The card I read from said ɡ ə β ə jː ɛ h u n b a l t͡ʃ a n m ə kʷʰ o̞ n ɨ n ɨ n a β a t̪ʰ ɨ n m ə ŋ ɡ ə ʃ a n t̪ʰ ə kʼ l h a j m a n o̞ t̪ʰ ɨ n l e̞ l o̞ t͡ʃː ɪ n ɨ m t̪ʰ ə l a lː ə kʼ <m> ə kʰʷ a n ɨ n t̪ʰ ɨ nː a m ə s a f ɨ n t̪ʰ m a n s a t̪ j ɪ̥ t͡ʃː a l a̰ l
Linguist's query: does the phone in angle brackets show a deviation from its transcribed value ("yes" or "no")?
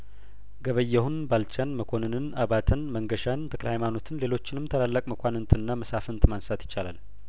no